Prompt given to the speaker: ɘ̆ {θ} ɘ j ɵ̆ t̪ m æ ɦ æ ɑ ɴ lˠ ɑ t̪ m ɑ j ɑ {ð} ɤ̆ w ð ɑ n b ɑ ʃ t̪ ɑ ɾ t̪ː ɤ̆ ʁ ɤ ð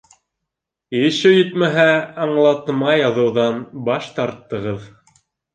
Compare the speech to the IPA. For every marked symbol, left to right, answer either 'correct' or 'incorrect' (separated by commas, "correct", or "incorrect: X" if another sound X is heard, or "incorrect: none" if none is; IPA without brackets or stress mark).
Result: incorrect: ʃ, correct